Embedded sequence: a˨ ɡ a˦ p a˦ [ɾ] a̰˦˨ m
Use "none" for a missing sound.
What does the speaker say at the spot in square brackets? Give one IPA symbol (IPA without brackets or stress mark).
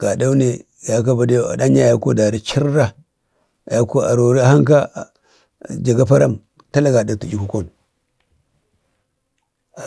ɾ